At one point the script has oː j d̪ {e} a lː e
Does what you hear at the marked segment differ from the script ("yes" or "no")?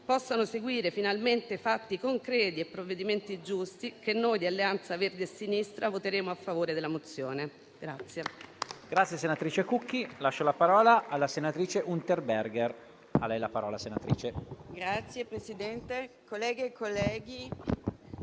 yes